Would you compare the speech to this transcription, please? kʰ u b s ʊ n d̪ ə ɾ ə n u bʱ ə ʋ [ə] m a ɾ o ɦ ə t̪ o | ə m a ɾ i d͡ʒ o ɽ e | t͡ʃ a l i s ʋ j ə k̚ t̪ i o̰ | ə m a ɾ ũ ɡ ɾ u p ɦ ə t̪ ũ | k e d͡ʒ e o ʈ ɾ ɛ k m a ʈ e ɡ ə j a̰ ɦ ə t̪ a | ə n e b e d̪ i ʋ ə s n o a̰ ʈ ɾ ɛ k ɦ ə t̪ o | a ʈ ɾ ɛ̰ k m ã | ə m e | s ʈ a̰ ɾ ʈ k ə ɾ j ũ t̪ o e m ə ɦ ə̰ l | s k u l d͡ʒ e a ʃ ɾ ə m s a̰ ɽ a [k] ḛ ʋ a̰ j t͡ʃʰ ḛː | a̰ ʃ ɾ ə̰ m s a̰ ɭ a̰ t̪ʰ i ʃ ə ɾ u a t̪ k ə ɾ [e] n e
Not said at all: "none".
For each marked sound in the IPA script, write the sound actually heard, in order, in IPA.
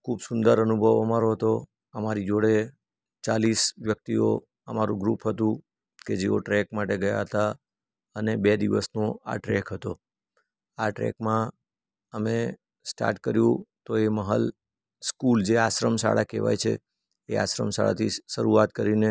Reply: ə, k, i

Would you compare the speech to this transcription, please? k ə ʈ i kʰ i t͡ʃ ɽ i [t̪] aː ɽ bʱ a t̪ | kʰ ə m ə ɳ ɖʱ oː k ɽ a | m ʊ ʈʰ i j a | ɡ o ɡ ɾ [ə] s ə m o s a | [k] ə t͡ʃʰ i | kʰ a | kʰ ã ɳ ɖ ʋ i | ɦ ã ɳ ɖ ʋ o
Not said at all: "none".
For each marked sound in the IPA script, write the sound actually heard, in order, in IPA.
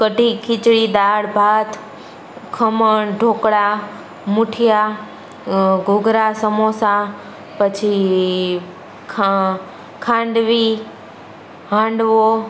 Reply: d̪, a, p

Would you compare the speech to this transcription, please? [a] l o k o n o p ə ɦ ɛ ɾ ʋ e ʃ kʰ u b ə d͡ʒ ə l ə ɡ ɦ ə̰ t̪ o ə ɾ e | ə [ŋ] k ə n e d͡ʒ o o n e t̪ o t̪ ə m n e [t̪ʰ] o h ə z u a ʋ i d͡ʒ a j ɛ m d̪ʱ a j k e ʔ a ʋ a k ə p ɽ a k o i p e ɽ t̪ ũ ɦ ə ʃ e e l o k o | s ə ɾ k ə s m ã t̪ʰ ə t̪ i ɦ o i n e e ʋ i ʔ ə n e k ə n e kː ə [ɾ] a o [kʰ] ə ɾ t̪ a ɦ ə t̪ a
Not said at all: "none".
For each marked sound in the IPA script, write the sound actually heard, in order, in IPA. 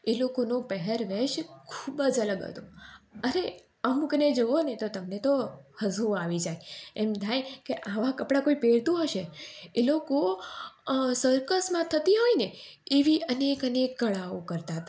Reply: e, m, t̪, ɭ, k

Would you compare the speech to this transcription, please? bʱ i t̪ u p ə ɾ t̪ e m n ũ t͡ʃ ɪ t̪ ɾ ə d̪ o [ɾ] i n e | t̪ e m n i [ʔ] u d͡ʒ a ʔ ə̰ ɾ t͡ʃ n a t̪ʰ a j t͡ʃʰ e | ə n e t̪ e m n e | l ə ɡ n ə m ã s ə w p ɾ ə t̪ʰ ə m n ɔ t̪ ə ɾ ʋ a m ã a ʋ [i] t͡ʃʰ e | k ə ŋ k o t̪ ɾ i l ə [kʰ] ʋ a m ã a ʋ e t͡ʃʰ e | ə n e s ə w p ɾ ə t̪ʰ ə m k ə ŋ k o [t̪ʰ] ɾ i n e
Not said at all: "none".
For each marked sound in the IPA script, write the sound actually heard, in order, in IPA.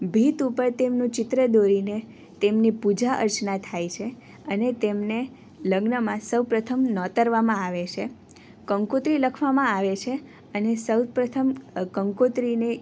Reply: ɾ, p, e, kʰ, t̪

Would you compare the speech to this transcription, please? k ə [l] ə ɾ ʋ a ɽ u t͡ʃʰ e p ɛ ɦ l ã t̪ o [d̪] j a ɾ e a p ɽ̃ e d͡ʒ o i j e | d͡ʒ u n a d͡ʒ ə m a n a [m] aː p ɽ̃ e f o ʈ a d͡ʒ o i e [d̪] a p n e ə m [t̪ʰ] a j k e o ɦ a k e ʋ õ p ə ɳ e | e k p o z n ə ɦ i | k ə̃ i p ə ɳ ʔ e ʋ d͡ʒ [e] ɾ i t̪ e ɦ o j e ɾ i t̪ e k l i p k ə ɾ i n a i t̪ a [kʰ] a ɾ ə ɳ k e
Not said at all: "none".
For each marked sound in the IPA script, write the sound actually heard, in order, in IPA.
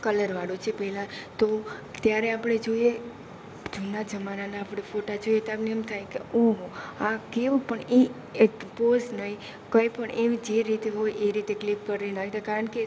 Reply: l, t̪, n, t̪, t̪ʰ, e, k

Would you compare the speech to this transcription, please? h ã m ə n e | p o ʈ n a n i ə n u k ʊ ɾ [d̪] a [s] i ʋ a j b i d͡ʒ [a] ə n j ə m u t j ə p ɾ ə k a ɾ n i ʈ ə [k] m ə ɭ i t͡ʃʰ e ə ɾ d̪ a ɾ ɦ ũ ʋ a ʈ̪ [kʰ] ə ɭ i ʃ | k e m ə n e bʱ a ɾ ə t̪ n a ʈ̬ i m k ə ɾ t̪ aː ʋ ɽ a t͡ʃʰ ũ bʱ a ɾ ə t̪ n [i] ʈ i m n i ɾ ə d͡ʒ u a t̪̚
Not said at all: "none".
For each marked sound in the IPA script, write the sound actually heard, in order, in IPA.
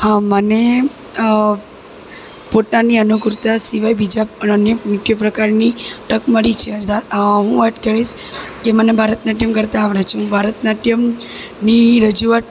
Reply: t̪, s, a, k, k, a

